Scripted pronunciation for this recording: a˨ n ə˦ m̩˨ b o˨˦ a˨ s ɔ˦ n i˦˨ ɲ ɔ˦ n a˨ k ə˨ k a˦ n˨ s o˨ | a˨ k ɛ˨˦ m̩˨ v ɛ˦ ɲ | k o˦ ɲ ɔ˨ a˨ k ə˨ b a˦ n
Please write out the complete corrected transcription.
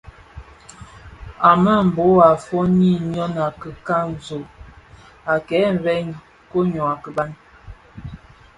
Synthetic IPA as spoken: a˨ m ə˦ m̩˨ b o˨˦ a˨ f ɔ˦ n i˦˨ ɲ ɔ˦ n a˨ k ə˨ k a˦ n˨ z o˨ | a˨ k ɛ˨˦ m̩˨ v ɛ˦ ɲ | k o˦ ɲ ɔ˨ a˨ k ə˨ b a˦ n